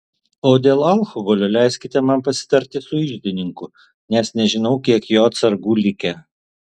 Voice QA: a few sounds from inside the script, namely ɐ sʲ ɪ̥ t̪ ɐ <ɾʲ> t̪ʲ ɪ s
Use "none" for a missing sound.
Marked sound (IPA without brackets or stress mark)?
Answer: ɾʲ